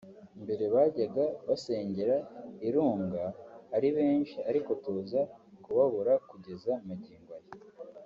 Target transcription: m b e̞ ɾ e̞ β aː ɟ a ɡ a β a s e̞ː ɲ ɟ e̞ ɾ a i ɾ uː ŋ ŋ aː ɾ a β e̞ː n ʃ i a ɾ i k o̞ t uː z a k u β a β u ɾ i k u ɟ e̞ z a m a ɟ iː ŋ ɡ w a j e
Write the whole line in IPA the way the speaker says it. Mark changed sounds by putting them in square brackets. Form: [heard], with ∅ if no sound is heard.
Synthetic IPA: m b e̞ ɾ e̞ β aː ɟ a ɡ a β a s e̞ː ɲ ɟ e̞ ɾ a i ɾ uː ŋ [ɡ] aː ɾ [i] β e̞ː n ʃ i a ɾ i k o̞ t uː z a k u β a β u ɾ [a] k u ɟ e̞ z a m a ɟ iː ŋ ɡ w a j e